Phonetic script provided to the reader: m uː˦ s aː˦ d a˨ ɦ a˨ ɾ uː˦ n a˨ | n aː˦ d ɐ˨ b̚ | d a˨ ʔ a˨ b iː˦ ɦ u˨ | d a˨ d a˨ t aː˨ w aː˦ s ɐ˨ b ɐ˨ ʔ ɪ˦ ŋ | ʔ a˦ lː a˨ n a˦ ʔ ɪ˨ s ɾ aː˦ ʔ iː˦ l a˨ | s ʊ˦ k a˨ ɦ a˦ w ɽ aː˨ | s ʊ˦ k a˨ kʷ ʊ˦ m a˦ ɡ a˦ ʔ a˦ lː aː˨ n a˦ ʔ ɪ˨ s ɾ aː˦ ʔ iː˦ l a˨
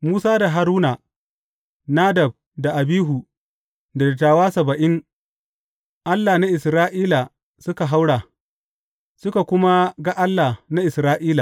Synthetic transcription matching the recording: m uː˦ s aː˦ d a˨ ɦ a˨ ɾ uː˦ n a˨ | n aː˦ d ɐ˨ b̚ | d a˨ ʔ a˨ b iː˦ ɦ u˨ | d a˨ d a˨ t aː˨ w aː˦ s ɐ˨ b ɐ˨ ʔ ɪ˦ ŋ | ʔ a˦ lː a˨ n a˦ ʔ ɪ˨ s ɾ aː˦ ʔ iː˦ l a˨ | s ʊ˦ k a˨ ɦ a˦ w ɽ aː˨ | s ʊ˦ k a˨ kʷ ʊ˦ m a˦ ɡ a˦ ʔ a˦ lː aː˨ n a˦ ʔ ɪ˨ s ɾ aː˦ ʔ iː˦ l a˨